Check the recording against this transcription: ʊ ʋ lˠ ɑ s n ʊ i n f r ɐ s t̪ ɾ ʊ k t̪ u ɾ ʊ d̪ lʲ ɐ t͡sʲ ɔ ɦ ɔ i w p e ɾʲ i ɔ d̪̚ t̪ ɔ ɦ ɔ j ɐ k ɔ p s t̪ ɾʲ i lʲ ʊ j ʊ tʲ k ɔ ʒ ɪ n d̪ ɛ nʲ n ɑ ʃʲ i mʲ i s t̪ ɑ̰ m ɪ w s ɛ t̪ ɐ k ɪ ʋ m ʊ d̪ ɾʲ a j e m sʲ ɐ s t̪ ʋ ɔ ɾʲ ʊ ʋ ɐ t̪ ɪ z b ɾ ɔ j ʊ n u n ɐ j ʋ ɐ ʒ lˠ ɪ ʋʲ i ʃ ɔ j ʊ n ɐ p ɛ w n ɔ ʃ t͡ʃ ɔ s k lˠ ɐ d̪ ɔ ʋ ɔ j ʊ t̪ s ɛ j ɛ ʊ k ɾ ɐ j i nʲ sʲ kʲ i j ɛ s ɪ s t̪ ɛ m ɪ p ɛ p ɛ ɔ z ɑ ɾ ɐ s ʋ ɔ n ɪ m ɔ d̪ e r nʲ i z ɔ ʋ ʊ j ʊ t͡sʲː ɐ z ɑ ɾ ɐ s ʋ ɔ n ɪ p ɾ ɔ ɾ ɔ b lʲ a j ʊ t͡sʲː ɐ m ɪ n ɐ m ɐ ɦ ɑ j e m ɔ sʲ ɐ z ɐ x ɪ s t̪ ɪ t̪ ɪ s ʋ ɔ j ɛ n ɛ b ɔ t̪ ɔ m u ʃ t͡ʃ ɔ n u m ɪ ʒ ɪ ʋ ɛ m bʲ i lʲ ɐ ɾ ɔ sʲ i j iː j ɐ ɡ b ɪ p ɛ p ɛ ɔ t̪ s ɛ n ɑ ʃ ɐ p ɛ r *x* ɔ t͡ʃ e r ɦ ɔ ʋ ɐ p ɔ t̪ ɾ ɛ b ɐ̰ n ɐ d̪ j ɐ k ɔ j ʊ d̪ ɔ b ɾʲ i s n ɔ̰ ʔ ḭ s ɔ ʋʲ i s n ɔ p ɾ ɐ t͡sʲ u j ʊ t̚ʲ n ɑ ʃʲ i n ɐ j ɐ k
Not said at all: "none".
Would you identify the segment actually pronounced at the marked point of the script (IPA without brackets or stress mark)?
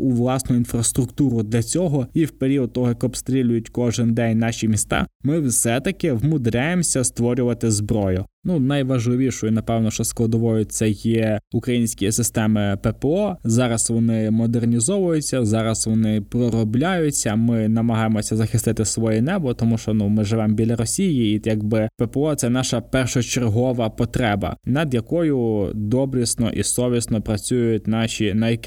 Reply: ʃ